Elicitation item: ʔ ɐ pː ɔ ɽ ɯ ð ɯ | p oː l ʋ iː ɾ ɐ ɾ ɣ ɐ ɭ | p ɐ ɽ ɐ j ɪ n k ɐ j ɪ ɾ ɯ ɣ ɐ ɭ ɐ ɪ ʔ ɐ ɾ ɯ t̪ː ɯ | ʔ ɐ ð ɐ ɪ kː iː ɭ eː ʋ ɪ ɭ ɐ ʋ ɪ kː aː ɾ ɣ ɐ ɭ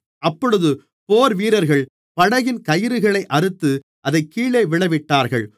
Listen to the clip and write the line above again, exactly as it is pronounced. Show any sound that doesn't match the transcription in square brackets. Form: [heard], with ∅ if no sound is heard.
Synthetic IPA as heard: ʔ ɐ pː ɔ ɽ ɯ ð ɯ | p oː [ɾ] ʋ iː ɾ ɐ ɾ ɣ ɐ ɭ | p ɐ ɽ ɐ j ɪ n k ɐ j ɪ ɾ ɯ ɣ ɐ ɭ ɐ ɪ ʔ ɐ ɾ ɯ t̪ː ɯ | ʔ ɐ ð ɐ ɪ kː iː ɭ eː ʋ ɪ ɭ ɐ ʋ ɪ [ʈː] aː ɾ ɣ ɐ ɭ